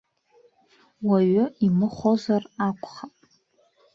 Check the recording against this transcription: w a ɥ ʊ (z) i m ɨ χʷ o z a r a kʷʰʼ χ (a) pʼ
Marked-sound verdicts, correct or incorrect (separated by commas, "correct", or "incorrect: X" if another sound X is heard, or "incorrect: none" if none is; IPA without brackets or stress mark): incorrect: none, correct